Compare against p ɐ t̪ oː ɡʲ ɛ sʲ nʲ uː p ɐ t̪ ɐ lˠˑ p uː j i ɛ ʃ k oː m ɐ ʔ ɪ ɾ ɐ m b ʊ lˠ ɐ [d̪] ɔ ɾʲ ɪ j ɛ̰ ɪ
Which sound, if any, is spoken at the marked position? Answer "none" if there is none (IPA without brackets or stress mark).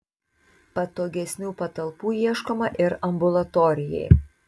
t̪